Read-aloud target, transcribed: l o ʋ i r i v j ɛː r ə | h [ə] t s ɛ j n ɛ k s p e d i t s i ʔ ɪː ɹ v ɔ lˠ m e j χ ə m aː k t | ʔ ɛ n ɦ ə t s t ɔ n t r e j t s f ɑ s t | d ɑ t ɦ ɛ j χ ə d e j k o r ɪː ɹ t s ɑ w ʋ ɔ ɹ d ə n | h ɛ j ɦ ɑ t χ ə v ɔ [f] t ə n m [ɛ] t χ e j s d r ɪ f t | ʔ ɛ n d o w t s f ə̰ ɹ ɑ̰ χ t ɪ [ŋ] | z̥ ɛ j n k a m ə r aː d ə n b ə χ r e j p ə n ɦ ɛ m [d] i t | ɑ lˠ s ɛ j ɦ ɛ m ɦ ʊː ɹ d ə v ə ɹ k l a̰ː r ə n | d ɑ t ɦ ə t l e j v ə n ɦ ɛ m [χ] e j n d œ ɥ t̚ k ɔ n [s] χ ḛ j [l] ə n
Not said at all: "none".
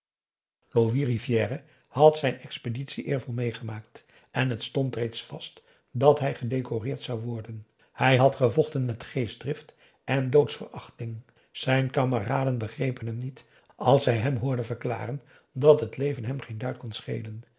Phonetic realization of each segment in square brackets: ɑ, χ, ɛ, ŋ, n, χ, s, l

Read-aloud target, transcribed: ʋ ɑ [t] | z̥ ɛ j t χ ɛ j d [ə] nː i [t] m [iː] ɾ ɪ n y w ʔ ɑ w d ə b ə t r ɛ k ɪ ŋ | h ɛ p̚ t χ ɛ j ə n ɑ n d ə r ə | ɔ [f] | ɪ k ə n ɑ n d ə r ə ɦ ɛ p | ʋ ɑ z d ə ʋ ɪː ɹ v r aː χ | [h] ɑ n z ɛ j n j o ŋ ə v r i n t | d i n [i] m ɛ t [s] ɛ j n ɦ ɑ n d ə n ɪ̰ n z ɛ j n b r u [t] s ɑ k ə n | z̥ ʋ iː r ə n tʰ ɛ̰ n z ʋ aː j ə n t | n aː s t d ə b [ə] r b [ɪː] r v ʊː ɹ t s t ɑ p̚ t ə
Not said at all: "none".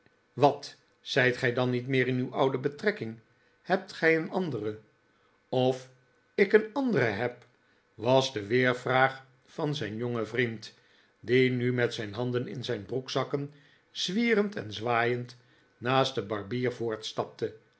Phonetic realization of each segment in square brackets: t, ɑ, t, ɪː, f, f, y, s, k, ɑ, iː

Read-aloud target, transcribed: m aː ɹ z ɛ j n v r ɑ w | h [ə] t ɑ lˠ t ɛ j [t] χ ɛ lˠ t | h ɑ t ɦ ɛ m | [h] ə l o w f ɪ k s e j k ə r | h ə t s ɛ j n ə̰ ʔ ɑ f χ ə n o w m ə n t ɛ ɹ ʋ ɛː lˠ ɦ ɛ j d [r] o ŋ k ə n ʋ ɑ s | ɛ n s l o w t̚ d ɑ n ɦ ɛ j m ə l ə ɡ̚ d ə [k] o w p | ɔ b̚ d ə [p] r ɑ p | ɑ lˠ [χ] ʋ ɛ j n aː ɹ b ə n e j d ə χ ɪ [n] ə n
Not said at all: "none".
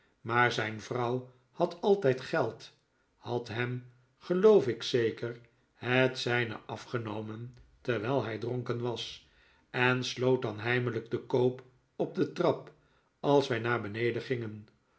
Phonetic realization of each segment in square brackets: ɑ, t, χ, r, k, t, s, ŋ

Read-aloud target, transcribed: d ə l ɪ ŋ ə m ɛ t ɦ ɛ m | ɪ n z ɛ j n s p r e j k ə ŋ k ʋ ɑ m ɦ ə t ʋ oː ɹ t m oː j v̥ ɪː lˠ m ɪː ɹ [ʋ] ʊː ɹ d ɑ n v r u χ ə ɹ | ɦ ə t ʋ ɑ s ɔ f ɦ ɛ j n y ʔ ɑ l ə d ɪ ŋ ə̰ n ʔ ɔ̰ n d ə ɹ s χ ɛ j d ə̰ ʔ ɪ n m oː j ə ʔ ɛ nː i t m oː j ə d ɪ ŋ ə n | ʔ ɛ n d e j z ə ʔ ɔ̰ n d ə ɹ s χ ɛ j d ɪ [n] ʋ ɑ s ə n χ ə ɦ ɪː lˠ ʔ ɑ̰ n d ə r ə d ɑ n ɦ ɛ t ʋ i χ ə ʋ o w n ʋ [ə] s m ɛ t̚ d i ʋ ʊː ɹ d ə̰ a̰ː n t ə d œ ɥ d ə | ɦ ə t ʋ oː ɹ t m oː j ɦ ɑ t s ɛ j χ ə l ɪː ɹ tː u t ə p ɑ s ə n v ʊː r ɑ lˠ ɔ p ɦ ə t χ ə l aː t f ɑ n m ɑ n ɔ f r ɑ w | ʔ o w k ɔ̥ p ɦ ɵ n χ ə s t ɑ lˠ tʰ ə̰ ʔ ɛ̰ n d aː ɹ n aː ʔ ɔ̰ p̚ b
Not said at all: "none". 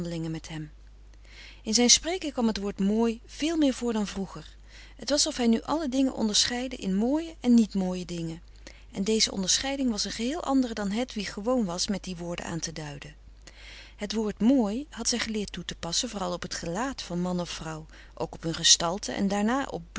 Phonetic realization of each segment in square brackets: v, ŋ, ɑ

